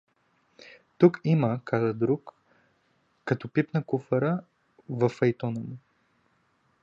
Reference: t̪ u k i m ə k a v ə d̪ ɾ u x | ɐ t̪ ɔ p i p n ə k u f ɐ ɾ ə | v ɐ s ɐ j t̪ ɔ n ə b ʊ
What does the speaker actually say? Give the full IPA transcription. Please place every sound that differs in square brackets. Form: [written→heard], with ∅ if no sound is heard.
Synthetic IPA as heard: t̪ u k i m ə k a [v→z] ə d̪ ɾ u [x→k] | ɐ t̪ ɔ p i p n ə k u f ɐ ɾ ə | v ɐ [s→f] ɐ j t̪ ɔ n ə [b→m] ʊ